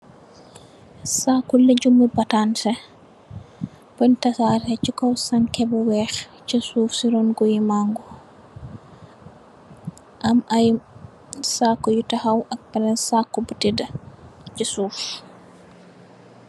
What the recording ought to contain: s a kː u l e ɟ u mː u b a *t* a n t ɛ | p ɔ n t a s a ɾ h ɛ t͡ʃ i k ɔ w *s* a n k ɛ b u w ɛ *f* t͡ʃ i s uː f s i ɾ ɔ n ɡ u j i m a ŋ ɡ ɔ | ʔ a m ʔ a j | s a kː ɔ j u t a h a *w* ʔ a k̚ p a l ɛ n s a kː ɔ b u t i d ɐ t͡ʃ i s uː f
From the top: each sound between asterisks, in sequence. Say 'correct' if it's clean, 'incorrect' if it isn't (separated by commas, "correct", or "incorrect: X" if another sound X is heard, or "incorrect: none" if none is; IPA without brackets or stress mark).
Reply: correct, correct, incorrect: x, correct